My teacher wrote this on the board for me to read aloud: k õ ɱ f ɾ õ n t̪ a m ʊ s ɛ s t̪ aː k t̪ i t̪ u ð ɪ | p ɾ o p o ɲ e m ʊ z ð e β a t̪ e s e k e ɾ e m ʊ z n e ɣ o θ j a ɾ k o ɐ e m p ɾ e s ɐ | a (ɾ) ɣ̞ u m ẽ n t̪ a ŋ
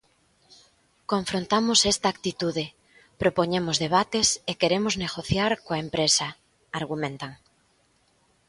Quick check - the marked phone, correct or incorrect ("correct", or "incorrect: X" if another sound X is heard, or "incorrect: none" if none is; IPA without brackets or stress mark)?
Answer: correct